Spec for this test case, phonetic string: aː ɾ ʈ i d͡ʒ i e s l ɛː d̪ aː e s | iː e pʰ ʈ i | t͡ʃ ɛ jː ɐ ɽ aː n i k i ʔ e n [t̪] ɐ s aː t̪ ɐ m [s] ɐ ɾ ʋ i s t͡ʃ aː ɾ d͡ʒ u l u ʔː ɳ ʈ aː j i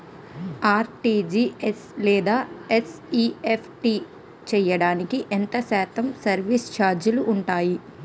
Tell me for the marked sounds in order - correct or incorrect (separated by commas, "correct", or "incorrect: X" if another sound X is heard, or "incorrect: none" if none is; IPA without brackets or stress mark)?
correct, correct